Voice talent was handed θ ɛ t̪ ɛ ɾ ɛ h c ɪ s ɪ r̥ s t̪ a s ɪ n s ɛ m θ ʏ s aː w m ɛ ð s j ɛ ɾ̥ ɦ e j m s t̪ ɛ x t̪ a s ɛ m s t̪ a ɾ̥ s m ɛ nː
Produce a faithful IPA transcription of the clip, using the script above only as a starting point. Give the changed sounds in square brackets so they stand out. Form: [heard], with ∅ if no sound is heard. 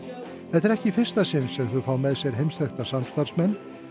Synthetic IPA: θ ɛ t̪ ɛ ɾ ɛ h c ɪ [f] ɪ r̥ s t̪ a s ɪ n s ɛ m θ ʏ [f] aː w m ɛ ð s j ɛ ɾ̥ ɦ e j m s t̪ ɛ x t̪ a s [a] m s t̪ a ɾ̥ s m ɛ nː